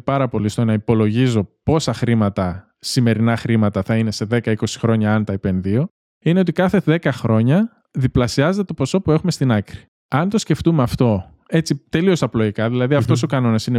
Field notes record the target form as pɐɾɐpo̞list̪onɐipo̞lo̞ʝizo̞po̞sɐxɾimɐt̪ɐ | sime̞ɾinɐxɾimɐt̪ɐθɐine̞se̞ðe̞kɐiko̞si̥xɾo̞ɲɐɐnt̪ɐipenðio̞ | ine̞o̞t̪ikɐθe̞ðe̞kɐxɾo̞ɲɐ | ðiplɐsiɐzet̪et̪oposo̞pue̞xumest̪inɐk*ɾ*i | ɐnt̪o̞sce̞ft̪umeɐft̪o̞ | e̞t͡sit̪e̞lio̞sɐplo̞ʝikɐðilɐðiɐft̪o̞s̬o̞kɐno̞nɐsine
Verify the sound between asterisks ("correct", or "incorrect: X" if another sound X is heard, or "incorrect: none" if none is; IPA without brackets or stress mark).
correct